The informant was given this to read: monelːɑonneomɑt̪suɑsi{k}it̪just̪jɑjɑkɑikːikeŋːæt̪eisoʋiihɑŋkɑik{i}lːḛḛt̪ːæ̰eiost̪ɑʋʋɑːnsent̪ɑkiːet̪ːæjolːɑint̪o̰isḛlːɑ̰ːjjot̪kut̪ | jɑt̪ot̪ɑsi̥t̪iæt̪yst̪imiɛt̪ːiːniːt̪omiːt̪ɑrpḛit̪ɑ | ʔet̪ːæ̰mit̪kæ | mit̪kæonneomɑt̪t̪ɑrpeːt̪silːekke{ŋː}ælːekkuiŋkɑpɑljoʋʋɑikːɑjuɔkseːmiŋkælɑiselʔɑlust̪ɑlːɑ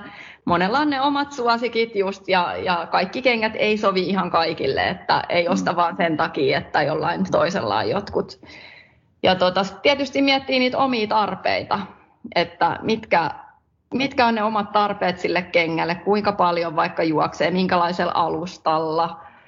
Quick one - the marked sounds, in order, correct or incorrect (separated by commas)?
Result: correct, correct, correct